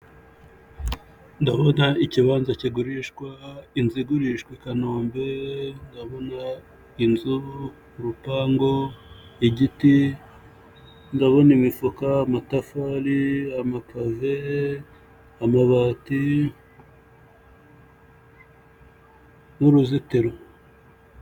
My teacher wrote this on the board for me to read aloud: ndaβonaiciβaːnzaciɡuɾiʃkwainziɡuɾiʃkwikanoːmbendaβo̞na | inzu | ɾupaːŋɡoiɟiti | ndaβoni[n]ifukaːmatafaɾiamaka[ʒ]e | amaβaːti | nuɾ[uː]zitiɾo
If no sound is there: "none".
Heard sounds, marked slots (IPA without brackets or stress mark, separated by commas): m, v, u